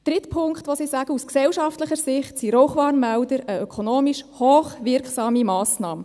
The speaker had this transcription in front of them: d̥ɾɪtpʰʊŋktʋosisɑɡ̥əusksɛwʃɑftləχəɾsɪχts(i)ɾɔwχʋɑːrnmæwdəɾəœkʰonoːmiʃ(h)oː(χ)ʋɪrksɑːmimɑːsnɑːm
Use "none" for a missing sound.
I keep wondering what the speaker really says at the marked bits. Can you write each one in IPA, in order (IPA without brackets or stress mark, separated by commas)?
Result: i, h, χ